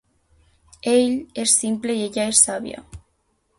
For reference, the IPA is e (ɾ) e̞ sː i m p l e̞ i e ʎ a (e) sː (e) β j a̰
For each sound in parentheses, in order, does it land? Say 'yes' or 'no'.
no, yes, no

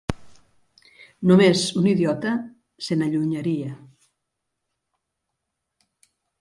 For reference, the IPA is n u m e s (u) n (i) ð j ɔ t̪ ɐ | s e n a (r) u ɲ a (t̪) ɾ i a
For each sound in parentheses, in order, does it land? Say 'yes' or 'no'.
yes, yes, no, no

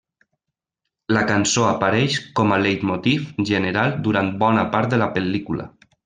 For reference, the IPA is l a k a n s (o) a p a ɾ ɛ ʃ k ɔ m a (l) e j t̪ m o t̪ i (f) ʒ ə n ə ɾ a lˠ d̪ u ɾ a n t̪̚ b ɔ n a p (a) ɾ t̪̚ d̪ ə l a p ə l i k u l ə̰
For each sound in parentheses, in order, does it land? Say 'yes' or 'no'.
yes, yes, yes, yes

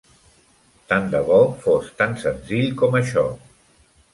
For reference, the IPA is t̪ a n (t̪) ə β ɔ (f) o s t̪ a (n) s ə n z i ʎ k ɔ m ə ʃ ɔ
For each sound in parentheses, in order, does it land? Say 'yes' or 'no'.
no, yes, yes

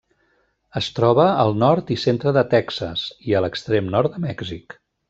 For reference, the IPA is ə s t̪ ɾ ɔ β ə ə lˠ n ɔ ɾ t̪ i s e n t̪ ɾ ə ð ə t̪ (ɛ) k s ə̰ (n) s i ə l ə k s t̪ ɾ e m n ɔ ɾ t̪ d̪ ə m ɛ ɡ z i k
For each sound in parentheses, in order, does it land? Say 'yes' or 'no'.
yes, no

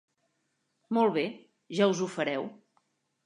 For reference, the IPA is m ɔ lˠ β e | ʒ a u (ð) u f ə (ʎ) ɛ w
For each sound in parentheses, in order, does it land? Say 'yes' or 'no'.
no, no

